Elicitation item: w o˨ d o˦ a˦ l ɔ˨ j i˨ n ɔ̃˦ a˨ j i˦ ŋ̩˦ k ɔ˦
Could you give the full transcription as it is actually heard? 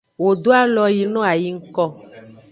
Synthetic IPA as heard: w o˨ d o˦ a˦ l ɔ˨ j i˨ n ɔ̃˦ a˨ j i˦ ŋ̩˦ k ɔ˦